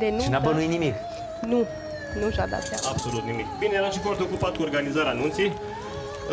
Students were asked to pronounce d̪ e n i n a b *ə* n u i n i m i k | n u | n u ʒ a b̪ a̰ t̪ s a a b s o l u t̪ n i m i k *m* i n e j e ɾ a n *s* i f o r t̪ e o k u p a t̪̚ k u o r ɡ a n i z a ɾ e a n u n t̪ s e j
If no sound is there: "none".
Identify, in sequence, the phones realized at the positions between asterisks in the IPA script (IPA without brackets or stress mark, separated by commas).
ə, b, ʃ